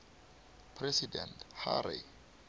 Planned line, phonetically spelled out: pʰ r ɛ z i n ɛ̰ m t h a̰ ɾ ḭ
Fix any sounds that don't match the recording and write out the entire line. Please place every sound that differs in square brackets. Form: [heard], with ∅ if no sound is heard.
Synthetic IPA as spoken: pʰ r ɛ [s] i [d] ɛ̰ [n] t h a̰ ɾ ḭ